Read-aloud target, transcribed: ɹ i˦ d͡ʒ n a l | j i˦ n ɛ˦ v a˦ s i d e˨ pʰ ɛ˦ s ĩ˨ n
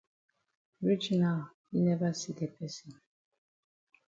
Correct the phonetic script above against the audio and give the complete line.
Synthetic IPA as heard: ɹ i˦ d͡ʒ n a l | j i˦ n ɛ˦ v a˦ s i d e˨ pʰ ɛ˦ s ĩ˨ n